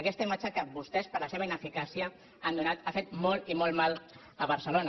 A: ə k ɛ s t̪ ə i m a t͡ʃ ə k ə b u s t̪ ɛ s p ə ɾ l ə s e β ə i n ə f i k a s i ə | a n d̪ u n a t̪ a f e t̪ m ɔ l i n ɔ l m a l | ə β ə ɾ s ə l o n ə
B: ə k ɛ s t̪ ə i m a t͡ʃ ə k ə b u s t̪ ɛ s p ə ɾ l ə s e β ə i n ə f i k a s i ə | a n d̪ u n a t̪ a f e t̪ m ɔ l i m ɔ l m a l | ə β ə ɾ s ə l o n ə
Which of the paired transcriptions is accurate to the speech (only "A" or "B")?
B